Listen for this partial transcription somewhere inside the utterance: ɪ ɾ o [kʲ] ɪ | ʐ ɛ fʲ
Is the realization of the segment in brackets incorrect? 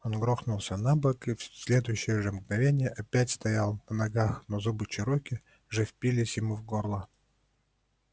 no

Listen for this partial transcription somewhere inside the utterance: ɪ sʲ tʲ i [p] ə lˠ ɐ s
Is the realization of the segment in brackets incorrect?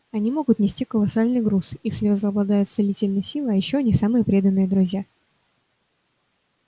yes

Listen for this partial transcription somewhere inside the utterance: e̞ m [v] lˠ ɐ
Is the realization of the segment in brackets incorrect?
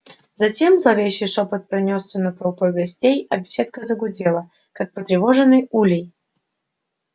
yes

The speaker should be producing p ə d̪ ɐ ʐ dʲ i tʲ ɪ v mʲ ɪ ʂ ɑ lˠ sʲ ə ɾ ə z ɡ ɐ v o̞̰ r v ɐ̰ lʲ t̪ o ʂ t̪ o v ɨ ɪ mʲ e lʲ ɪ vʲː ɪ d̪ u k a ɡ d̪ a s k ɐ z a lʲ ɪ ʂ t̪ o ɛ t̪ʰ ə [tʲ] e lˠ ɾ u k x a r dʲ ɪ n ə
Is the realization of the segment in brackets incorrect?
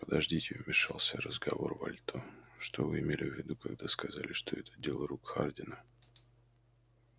yes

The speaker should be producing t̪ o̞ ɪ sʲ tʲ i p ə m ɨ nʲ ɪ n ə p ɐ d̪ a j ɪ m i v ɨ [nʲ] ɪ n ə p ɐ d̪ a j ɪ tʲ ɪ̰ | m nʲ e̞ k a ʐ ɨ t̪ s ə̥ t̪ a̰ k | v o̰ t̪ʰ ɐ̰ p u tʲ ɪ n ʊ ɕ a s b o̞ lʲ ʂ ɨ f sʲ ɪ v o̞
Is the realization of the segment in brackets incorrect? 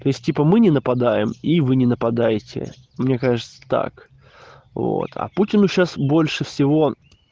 no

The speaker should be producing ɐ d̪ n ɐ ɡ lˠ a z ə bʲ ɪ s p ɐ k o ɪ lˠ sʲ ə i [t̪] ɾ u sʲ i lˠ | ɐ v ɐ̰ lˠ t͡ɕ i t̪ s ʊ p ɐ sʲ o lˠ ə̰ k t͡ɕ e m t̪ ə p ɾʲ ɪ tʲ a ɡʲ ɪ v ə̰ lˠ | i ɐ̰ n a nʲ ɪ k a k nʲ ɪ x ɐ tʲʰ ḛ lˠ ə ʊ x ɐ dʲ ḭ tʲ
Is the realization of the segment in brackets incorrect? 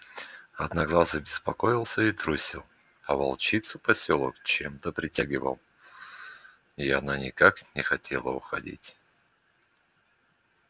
no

